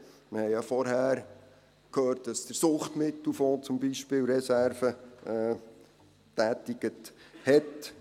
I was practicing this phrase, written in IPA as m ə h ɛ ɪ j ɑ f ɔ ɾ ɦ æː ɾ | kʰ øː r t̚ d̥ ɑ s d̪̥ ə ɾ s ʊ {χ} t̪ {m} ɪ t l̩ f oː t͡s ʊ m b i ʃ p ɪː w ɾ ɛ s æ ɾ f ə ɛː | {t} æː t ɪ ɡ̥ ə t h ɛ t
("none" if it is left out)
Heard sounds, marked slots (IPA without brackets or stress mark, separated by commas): χ, m, t